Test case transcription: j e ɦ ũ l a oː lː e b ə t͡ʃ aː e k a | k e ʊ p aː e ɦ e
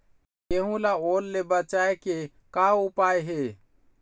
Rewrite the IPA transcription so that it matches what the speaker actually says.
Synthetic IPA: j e ɦ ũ l a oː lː e b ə t͡ʃ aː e k e | k a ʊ p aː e ɦ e